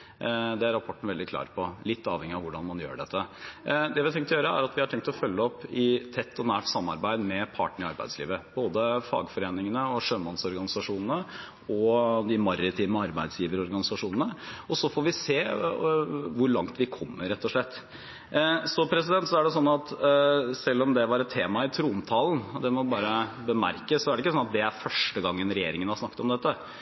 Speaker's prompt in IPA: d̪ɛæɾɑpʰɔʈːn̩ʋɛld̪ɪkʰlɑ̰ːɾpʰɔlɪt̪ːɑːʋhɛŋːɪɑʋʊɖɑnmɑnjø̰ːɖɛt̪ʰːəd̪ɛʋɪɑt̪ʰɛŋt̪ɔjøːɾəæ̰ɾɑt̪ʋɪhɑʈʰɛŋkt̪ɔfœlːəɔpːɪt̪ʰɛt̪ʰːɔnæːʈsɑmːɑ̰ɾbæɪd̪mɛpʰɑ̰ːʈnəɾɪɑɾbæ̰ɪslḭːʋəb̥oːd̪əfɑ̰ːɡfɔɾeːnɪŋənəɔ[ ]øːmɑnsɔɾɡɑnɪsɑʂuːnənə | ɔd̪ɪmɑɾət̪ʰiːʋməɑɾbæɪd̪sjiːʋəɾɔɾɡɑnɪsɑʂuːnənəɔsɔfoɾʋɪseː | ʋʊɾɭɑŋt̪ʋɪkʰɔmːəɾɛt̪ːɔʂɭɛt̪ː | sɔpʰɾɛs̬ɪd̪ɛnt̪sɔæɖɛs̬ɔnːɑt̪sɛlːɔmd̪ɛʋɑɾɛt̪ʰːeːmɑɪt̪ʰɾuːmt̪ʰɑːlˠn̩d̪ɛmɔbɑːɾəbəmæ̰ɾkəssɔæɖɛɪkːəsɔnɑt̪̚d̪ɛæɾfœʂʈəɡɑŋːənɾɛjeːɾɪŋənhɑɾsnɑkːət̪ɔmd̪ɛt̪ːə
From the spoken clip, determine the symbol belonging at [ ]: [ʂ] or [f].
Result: ʂ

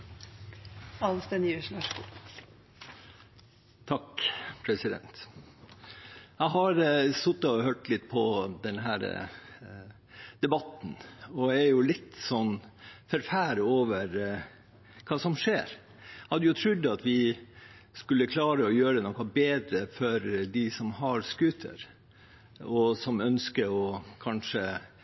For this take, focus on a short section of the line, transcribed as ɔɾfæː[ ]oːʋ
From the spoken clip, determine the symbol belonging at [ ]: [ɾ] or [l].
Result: ɾ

